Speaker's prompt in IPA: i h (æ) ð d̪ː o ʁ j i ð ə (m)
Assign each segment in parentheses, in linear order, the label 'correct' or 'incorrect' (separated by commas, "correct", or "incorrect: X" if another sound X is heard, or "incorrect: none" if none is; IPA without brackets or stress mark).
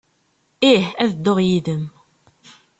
correct, correct